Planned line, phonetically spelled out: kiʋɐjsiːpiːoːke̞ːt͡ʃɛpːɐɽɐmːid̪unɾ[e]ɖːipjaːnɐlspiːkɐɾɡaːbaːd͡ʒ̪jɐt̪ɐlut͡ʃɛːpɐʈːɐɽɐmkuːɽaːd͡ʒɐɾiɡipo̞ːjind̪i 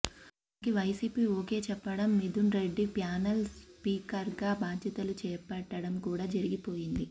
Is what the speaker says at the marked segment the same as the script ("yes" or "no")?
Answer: yes